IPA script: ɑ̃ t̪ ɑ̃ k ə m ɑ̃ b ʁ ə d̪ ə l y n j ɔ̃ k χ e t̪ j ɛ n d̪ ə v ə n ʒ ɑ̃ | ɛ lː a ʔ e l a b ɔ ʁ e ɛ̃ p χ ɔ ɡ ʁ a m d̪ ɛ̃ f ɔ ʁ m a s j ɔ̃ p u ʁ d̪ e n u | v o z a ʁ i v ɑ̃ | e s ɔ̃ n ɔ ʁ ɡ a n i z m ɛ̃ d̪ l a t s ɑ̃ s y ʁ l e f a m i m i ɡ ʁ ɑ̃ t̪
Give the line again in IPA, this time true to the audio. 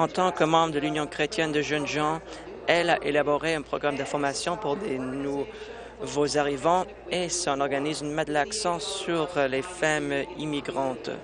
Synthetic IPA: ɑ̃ t̪ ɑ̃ k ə m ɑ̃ b ʁ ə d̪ ə l y n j ɔ̃ k χ e t̪ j ɛ n d̪ ə ʒ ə n ʒ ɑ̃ | ɛ l a ʔ e l a b ɔ ʁ e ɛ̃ p χ ɔ ɡ ʁ a m d̪ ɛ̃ f ɔ ʁ m a s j ɔ̃ p u ʁ d̪ e n u | v o z a ʁ i v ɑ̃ | e s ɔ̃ n ɔ ʁ ɡ a n i z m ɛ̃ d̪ l a k s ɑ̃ s y ʁ l e f a m i m i ɡ ʁ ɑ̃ t̪

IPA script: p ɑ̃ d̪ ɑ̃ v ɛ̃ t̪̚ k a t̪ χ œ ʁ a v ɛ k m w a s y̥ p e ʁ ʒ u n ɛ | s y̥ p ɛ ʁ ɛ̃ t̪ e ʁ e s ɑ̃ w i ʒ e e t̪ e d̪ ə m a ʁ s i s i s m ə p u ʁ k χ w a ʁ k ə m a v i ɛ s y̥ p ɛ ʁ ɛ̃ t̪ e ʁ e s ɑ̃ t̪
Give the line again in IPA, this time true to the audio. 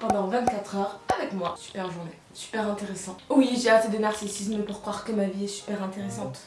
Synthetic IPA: p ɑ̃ d̪ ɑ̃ v ɛ̃ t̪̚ k a t̪ χ œ ʁ a v ɛ k m w a s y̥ p ɛ ʁ ʒ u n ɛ | s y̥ p ɛ ʁ ɛ̃ t̪ e ʁ e s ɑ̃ w i ʒ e a t̪ e d̪ ə n a ʁ s i s i s m ə p u ʁ k χ w a ʁ k ə m a v i ɛ s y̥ p ɛ ʁ ɛ̃ t̪ e ʁ e s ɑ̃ t̪

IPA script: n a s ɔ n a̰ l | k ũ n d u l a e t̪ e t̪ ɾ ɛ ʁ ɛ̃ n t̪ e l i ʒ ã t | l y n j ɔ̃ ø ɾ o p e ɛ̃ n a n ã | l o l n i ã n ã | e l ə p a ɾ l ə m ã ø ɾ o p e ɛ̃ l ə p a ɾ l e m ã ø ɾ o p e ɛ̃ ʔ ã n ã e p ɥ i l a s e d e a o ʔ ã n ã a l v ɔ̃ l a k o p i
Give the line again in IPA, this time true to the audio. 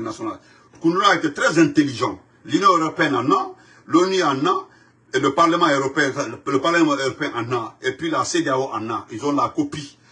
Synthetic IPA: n a s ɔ n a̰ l | k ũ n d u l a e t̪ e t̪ ɾ ɛ z ɛ̃ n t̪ e l i ʒ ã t | l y n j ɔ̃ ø ɾ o p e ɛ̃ n a n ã | l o n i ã n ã | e l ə p a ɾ l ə m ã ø ɾ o p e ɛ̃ l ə p a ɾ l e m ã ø ɾ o p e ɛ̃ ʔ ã n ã e p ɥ i l a s e d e a o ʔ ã n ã i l z ɔ̃ l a k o p i

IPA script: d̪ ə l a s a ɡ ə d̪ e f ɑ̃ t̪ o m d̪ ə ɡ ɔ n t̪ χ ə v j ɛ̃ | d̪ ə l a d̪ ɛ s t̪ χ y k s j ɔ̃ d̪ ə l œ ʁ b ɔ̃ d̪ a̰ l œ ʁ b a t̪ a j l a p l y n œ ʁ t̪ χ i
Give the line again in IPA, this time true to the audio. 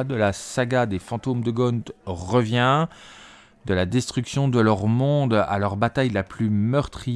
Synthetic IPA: d̪ ə l a s a ɡ a d̪ e f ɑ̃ t̪ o m d̪ ə ɡ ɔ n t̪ ʁ ə v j ɛ̃ | d̪ ə l a d̪ ɛ s t̪ χ y k s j ɔ̃ d̪ ə l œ ʁ m ɔ̃ d̪ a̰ l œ ʁ b a t̪ a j l a p l y m œ ʁ t̪ χ i

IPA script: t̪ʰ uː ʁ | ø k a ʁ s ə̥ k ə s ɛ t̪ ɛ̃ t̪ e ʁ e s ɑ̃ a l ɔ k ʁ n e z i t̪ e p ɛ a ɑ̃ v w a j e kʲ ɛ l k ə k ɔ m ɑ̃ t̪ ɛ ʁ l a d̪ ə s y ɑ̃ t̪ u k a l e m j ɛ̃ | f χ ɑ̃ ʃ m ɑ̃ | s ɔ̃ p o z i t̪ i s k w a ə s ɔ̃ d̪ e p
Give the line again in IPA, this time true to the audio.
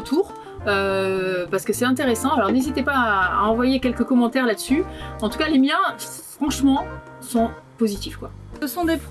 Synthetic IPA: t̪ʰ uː ʁ | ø p a ʁ s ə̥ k ə s ɛ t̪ ɛ̃ t̪ e ʁ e s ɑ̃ a l ɔ ʁ n e z i t̪ e p a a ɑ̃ v w a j e kʲ ɛ l k ə k ɔ m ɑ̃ t̪ ɛ ʁ l a d̪ ə s y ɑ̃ t̪ u k a l e m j ɛ̃ | f χ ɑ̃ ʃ m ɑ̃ | s ɔ̃ p o z i t̪ i f k w a ə s ɔ̃ d̪ e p

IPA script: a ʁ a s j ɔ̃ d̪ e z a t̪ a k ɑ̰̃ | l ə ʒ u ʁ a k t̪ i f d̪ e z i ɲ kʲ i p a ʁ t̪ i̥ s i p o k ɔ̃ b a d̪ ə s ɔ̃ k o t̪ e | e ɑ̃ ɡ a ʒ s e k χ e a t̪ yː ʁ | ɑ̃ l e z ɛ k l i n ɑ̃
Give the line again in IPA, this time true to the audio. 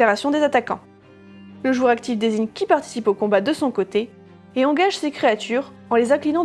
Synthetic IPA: a ʁ a s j ɔ̃ d̪ e z a t̪ a k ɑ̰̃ | l ə ʒ u ʁ a k t̪ i f d̪ e z i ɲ kʲ i p a ʁ t̪ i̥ s i p o k ɔ̃ b a d̪ ə s ɔ̃ k o t̪ e | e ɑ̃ ɡ a ʒ s e k χ e a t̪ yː ʁ | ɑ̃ l e z ɛ̃ k l i n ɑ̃

